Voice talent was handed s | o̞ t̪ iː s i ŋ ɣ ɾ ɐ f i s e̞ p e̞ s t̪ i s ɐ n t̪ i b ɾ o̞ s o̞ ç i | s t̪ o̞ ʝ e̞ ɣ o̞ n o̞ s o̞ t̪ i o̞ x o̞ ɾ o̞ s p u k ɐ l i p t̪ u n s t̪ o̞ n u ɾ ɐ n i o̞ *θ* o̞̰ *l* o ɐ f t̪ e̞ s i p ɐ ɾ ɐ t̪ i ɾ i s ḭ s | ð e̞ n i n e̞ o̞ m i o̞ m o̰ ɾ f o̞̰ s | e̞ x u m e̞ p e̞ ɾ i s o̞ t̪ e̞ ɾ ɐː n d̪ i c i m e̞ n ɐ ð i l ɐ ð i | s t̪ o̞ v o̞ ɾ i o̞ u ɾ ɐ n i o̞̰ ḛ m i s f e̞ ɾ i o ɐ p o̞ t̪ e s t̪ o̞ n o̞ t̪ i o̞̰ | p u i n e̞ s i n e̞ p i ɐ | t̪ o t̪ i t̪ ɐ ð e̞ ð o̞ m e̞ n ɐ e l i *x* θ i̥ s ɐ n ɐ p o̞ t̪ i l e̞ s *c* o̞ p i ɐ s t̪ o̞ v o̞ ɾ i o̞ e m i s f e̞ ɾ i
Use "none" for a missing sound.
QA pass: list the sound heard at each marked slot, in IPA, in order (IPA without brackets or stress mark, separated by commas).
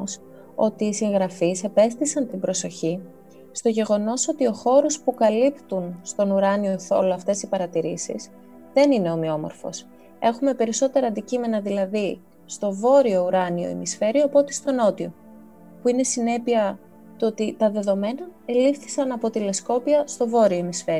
θ, l, f, k